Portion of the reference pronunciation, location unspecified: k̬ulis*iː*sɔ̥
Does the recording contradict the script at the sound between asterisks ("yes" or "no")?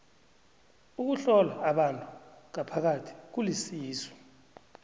no